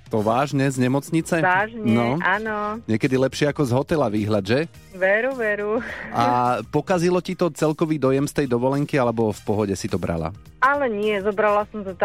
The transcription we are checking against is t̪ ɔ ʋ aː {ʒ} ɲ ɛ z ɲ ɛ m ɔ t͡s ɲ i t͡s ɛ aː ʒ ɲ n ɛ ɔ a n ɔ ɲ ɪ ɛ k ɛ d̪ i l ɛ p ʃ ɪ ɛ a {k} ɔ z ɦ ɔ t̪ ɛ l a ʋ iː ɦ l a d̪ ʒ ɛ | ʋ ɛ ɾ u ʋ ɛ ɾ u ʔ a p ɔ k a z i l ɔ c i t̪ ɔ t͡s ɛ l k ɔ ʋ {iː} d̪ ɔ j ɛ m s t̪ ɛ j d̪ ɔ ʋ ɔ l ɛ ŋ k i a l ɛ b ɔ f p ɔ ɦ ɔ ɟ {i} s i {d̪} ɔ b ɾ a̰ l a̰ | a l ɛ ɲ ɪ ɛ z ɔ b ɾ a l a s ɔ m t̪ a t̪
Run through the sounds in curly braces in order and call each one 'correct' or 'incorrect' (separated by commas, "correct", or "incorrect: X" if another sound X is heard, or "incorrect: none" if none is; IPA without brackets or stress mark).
correct, correct, correct, incorrect: ɛ, incorrect: t̪